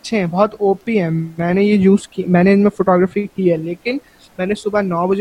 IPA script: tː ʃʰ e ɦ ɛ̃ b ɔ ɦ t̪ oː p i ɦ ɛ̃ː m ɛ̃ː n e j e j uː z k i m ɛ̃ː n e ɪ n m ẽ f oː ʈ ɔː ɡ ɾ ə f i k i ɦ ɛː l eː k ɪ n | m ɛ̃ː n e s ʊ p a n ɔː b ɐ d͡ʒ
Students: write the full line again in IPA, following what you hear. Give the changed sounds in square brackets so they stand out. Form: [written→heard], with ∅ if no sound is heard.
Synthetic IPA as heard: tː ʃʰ e ɦ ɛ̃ b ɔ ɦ t̪ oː p i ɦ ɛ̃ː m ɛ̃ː n e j e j uː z k i m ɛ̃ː n e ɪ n m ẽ f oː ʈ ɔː ɡ ɾ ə f i k i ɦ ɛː l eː k ɪ n | m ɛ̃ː n e s ʊ [p→b] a n ɔː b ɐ d͡ʒ